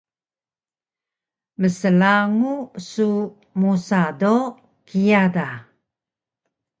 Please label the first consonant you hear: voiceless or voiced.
voiced